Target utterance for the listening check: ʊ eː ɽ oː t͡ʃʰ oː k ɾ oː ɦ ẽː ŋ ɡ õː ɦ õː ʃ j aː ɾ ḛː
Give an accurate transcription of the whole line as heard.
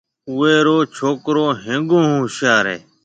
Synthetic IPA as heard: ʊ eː ɾ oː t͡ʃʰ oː k ɾ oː ɦ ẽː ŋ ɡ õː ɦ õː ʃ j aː ɾ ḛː